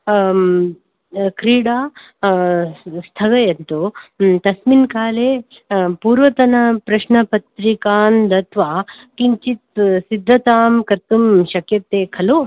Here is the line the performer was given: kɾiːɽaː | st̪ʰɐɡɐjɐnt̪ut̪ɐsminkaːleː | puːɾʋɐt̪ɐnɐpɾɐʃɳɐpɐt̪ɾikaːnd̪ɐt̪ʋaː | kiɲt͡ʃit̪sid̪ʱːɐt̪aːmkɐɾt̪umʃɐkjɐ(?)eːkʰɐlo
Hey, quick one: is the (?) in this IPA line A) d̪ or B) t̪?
B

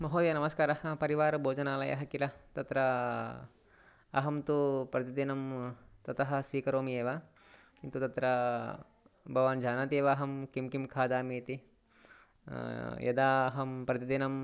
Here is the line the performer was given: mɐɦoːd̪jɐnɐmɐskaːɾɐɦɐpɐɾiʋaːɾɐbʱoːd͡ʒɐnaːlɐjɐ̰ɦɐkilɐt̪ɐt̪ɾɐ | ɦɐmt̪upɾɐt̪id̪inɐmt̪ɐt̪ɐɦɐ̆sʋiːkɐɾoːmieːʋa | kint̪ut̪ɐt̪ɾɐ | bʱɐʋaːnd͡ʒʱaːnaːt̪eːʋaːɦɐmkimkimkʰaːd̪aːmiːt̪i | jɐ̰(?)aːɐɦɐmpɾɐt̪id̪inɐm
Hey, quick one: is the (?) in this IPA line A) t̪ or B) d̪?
B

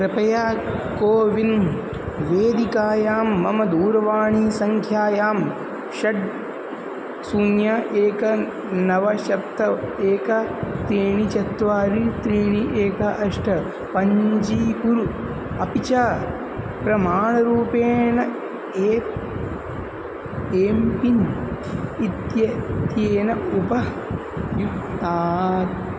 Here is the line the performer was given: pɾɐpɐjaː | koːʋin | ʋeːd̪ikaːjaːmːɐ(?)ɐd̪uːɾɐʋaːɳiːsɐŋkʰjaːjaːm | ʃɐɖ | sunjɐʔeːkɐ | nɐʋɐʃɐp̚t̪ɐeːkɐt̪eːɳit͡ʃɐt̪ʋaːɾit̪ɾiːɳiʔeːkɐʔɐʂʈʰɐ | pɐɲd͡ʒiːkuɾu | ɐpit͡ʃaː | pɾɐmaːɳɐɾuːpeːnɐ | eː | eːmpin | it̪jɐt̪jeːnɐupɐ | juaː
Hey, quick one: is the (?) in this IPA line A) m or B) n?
A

